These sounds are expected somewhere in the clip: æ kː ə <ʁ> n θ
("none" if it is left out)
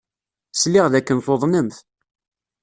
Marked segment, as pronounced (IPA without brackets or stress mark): none